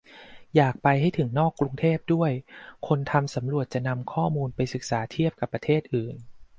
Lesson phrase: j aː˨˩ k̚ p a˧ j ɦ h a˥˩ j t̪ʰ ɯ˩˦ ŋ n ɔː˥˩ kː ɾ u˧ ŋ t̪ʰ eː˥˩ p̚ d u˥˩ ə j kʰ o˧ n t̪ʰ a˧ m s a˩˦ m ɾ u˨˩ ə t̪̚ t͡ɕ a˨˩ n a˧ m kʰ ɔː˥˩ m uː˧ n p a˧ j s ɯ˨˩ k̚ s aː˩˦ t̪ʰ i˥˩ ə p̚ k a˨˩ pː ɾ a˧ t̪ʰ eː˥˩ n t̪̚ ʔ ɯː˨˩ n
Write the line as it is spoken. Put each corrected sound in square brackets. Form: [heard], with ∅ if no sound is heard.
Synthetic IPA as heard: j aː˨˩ k̚ p a˧ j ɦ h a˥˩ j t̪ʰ ɯ˩˦ ŋ n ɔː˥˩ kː ɾ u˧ ŋ t̪ʰ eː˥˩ p̚ d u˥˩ ə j kʰ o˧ n t̪ʰ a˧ m s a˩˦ m ɾ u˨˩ ə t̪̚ t͡ɕ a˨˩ n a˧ m kʰ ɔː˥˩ m uː˧ n p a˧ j s ɯ˨˩ k̚ s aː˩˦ t̪ʰ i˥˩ ə p̚ k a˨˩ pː ɾ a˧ t̪ʰ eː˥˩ [∅] t̪̚ ʔ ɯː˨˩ n